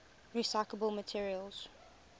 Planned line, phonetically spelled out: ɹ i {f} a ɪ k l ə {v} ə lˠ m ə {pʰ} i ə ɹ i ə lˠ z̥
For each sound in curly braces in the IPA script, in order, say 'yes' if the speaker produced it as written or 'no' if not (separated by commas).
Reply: no, no, no